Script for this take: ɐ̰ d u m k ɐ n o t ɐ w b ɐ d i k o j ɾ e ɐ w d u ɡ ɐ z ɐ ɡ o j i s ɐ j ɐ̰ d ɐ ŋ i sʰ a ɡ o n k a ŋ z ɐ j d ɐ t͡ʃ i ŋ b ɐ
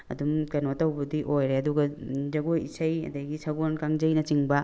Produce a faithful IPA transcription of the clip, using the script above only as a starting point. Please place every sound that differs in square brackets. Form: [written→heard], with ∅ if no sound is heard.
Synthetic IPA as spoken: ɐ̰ d u m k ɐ n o t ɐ w b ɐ d i [k→ʔ] o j ɾ e ɐ [w→∅] d u ɡ ɐ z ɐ ɡ o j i s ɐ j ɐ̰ d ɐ [ŋ→ɡ] i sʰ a ɡ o n k a ŋ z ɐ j [d→n] ɐ t͡ʃ i ŋ b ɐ